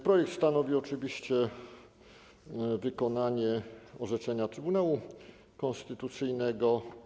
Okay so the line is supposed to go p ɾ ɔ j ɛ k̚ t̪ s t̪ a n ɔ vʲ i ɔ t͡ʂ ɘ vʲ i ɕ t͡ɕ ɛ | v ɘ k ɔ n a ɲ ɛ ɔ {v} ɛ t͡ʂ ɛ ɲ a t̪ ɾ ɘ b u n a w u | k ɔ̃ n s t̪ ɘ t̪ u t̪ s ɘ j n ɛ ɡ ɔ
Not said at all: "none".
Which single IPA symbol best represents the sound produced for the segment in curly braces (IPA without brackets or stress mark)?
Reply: ʐ